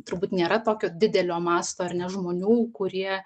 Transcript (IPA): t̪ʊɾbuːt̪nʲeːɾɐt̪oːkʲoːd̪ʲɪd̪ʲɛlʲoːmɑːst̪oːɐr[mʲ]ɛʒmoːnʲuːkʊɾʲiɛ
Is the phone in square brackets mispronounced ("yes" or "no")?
yes